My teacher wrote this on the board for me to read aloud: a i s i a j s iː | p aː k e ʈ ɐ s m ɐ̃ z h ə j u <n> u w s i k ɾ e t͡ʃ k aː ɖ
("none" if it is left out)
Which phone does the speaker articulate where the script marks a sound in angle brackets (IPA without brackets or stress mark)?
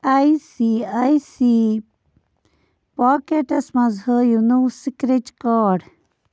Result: n